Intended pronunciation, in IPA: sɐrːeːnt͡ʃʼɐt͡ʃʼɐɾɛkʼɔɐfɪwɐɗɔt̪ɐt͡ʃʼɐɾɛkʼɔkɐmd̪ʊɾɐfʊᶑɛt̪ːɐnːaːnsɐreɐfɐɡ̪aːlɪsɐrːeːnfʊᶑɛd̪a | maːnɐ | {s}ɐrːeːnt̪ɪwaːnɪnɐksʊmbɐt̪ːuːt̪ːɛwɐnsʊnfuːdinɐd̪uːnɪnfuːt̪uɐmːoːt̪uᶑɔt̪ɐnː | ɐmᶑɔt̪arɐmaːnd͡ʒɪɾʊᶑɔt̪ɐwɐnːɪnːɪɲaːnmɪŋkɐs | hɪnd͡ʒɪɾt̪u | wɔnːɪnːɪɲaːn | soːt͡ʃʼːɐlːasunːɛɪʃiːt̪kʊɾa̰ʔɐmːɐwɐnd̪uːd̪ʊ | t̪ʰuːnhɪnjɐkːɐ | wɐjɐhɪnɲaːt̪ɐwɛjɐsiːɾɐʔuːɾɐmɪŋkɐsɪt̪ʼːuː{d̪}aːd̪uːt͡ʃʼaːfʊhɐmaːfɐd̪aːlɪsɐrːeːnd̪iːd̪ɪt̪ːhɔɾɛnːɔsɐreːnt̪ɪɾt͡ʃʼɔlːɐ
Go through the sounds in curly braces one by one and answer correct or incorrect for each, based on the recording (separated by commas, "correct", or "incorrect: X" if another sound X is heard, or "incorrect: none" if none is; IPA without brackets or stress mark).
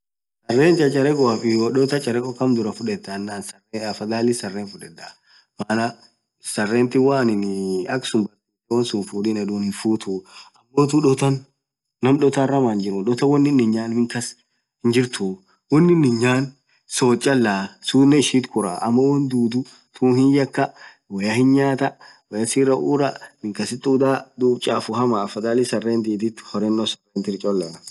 correct, correct